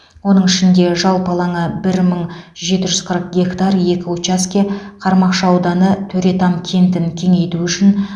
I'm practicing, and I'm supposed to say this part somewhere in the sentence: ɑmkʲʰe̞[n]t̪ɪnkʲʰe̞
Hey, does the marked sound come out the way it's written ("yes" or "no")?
yes